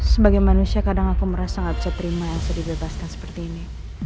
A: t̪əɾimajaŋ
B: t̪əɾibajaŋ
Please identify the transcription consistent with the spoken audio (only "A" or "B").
A